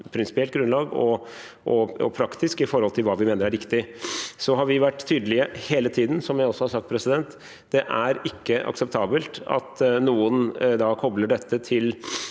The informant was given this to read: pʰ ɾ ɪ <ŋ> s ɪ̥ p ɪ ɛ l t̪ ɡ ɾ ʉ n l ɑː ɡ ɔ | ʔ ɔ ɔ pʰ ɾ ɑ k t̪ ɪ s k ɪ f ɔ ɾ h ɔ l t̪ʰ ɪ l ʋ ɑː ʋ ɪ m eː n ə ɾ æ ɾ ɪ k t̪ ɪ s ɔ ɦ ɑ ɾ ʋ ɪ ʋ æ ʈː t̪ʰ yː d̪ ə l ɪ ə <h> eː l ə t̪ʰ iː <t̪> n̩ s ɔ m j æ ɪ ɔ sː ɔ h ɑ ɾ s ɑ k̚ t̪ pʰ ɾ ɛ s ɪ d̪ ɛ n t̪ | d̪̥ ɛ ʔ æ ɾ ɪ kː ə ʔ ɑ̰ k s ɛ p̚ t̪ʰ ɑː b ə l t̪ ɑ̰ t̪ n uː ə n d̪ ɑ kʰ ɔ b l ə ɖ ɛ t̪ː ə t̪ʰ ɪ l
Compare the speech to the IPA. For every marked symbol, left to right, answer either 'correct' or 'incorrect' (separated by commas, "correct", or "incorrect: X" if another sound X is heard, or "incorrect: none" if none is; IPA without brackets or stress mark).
incorrect: n, correct, incorrect: d̪